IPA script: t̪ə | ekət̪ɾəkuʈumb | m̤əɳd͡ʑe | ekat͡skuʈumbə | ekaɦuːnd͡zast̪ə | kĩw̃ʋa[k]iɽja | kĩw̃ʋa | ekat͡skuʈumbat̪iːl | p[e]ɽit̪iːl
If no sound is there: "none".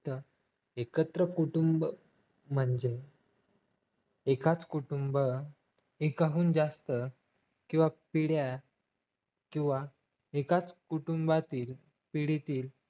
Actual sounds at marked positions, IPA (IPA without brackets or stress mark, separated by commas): p, i